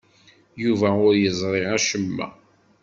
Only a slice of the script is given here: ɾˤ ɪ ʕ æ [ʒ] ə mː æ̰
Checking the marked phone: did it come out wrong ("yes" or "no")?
yes